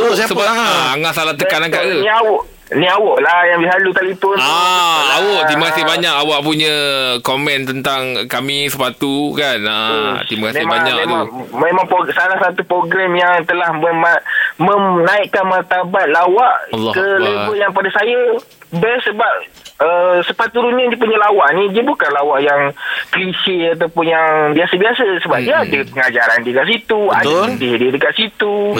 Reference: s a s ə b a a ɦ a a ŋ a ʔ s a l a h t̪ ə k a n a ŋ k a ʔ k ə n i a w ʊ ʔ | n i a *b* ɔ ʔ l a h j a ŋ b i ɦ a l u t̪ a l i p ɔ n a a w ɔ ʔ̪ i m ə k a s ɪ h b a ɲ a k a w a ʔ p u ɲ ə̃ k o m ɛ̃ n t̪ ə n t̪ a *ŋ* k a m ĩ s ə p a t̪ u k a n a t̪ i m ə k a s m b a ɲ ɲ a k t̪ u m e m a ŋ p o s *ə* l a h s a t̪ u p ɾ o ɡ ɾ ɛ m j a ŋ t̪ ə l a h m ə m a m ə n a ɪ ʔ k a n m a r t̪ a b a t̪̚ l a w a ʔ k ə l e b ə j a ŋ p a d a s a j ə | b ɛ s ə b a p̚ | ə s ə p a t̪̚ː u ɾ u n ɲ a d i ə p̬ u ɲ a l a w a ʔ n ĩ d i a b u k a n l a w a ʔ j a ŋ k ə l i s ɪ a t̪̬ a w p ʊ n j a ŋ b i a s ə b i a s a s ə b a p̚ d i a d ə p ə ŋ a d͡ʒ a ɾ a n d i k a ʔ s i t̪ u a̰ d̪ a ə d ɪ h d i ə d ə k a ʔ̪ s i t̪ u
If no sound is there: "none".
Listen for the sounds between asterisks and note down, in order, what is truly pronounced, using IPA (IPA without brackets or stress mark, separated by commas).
w, ŋ, a